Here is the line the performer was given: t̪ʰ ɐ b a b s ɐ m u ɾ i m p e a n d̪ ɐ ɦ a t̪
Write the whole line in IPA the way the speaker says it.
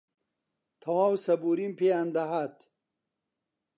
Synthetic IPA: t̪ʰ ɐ w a w s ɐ b u ɾ i m p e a n d̪ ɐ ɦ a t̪